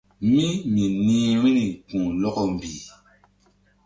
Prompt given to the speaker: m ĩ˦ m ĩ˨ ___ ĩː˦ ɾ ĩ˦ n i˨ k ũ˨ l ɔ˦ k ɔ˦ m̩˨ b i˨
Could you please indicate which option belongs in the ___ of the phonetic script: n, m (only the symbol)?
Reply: n